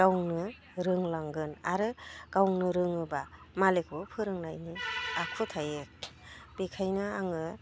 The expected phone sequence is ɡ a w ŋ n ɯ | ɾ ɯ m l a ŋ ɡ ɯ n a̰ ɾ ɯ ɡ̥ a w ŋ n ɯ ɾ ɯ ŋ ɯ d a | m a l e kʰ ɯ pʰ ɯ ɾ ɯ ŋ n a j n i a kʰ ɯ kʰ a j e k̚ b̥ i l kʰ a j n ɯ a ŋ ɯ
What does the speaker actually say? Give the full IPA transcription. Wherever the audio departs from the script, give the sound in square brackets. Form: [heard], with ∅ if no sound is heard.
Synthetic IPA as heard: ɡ a w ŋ n ɯ | ɾ ɯ [ŋ] l a ŋ ɡ ɯ n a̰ ɾ ɯ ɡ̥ a w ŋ n ɯ ɾ ɯ ŋ ɯ [b] a | m a l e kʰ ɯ pʰ ɯ ɾ ɯ ŋ n a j n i a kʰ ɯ [tʰ] a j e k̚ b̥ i [∅] kʰ a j n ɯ a ŋ ɯ

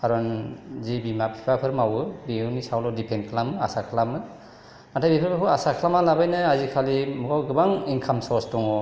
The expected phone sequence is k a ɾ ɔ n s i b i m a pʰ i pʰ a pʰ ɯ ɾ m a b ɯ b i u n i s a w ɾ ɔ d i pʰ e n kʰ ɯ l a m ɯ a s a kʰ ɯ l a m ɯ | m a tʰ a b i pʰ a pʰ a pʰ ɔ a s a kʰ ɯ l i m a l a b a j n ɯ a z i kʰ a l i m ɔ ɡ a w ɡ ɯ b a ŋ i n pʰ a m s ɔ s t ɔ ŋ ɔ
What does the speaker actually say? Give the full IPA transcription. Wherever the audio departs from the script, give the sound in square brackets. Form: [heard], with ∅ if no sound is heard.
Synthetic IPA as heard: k a ɾ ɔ n [z] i b i m a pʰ i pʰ a pʰ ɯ ɾ m a [w] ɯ b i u n i s a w [l] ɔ d i pʰ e n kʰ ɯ l a m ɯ a s a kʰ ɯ l a m ɯ | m a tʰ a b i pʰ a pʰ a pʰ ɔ a s a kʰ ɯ l [a] m a l a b a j n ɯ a z i kʰ a l i m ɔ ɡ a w ɡ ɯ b a ŋ i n [kʰ] a m s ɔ s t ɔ ŋ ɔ

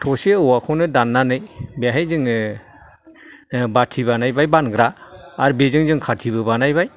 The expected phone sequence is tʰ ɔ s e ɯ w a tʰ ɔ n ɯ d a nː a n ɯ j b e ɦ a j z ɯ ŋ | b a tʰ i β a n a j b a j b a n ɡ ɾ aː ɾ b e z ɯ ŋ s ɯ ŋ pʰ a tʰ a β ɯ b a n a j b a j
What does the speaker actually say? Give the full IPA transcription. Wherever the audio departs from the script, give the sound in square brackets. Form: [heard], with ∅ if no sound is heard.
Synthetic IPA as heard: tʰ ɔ s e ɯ w a [kʰ] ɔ n ɯ d a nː a n ɯ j b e ɦ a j z ɯ ŋ | b a tʰ i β a n a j b a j b a n ɡ ɾ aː ɾ b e z ɯ ŋ [z] ɯ ŋ [kʰ] a tʰ [i] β ɯ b a n a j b a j

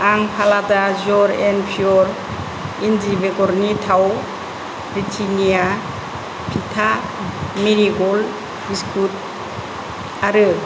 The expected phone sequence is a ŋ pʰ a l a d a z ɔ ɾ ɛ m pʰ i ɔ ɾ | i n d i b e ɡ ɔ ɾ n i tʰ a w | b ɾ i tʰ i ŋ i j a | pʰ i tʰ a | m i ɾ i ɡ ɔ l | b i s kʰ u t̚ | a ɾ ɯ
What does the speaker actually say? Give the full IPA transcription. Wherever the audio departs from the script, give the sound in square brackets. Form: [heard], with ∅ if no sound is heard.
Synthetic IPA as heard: a ŋ pʰ a l a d a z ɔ ɾ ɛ [n] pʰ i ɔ ɾ | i n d i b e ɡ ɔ ɾ n i tʰ a w | b ɾ i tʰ i [n] i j a | pʰ i tʰ a | m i ɾ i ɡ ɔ l | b i s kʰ u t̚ | a ɾ ɯ

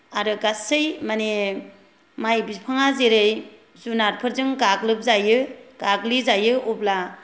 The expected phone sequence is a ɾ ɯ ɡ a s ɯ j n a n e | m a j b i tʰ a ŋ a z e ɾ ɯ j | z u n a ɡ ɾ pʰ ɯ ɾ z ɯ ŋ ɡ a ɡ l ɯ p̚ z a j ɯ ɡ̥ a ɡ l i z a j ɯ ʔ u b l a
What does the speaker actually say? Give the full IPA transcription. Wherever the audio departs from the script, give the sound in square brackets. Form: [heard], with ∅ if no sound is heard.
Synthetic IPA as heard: a ɾ ɯ ɡ a s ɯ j [m] a n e | m a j b i [pʰ] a ŋ a z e ɾ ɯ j | z u n a [∅] ɾ pʰ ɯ ɾ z ɯ ŋ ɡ a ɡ l ɯ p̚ z a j ɯ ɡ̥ a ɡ l i z a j ɯ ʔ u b l a

